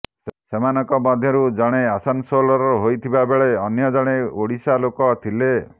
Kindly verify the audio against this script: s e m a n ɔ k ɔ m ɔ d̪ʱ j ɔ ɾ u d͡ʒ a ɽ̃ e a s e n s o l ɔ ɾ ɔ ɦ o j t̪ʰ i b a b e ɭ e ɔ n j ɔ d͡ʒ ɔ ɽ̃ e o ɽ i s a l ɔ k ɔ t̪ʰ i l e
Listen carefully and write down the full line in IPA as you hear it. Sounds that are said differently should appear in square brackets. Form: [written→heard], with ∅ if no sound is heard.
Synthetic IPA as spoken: s e m a n ɔ k ɔ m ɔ d̪ʱ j ɔ ɾ u d͡ʒ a ɽ̃ e a s [e→a] n s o l ɔ ɾ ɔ ɦ o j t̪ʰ i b a b e ɭ e ɔ n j ɔ d͡ʒ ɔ ɽ̃ e o ɽ i s a l [ɔ→o] k ɔ t̪ʰ i l e